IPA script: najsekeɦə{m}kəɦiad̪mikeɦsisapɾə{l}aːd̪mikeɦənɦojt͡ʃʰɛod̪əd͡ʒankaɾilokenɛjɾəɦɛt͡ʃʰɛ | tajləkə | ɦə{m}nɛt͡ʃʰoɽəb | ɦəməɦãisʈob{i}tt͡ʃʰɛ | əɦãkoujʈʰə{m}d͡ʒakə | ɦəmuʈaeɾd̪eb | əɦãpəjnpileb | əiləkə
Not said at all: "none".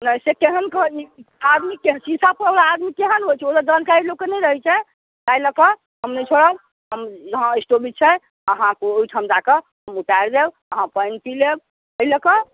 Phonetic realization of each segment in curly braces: n, l, m, i, m

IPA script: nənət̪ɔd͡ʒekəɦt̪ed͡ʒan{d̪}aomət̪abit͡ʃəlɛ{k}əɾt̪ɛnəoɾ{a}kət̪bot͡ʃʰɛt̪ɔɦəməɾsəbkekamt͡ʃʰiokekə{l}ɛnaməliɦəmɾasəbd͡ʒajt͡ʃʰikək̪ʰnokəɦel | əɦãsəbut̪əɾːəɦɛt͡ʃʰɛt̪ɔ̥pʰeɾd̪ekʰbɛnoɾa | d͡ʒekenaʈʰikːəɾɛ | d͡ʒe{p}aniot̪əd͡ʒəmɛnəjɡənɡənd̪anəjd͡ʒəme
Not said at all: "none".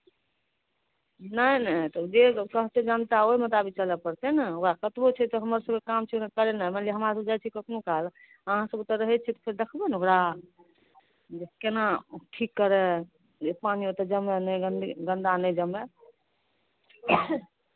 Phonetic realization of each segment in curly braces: t̪, p, a, ɾ, p

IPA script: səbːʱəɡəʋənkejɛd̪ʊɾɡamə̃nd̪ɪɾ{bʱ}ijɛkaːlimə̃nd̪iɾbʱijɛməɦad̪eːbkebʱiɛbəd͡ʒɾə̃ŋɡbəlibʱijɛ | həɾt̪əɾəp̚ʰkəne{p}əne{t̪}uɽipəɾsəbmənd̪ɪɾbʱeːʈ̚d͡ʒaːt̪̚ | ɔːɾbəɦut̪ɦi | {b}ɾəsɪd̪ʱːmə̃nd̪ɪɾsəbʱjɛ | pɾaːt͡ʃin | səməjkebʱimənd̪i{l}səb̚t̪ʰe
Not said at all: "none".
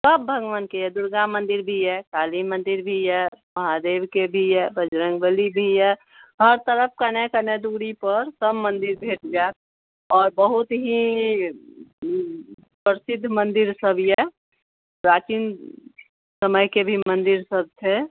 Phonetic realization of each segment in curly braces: bʱ, k, d̪, p, ɾ

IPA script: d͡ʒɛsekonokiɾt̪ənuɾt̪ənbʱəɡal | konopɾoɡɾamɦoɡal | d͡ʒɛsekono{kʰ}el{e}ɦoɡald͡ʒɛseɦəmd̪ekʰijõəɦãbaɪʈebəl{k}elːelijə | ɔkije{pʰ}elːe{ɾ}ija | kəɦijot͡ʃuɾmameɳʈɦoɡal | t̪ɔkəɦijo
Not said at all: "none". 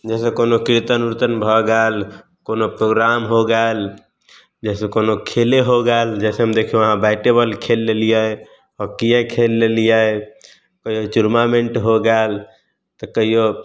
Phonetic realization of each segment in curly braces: kʰ, e, kʰ, kʰ, l

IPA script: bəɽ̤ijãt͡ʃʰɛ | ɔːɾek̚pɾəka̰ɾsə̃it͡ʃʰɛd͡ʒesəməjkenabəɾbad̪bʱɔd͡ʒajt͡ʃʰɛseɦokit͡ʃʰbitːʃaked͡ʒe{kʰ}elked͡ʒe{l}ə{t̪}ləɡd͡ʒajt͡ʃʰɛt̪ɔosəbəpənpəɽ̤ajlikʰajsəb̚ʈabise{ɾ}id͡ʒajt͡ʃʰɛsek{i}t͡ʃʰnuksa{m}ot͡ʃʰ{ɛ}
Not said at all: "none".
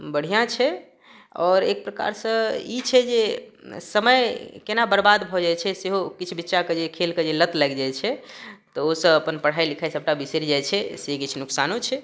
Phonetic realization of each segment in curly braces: kʰ, l, t̪, ɾ, i, n, ɛ

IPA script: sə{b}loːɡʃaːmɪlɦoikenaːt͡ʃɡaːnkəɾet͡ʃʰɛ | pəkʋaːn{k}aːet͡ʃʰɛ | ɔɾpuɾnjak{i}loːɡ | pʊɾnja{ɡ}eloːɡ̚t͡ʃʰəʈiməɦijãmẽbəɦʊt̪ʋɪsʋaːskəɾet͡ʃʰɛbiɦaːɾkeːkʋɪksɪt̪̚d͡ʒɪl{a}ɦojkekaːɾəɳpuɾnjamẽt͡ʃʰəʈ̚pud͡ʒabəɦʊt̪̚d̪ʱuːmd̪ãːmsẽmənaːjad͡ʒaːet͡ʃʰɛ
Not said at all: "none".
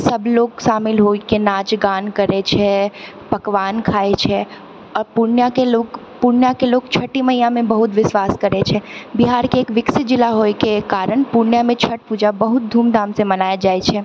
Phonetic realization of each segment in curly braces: b, kʰ, e, k, a

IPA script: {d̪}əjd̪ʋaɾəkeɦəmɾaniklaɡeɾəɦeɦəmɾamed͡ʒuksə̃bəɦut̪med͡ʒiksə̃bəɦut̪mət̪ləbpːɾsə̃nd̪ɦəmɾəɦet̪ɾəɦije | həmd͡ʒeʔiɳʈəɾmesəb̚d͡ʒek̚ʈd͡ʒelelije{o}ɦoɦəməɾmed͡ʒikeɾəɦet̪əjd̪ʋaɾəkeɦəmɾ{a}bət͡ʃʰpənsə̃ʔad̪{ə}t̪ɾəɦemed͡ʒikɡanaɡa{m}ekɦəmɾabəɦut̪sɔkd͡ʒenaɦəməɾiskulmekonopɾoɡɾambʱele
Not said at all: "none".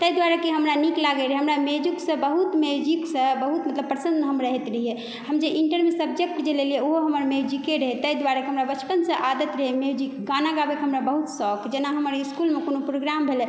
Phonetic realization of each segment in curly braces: t̪, o, a, ə, b

